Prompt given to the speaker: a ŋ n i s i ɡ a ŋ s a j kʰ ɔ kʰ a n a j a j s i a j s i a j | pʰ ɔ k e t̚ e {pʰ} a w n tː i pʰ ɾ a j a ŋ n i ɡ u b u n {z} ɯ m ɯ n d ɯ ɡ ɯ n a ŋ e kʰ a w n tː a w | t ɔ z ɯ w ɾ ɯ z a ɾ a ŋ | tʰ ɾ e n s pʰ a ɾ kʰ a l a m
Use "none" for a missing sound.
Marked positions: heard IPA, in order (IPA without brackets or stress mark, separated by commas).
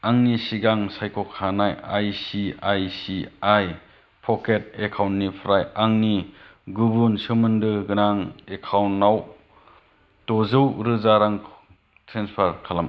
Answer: kʰ, s